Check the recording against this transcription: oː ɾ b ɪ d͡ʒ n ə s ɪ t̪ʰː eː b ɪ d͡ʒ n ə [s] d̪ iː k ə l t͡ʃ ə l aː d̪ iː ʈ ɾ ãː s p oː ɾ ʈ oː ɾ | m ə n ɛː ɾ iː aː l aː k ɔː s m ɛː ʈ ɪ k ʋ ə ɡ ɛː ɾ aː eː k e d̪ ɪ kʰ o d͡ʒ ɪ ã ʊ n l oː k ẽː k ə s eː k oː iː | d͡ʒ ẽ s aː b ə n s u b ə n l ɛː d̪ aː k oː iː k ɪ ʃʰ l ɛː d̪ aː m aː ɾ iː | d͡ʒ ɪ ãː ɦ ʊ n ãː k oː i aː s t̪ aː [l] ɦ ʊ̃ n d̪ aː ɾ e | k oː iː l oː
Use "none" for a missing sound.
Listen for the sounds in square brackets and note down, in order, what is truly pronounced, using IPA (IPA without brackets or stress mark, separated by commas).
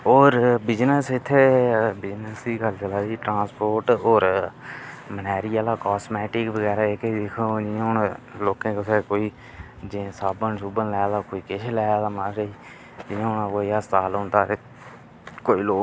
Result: s, l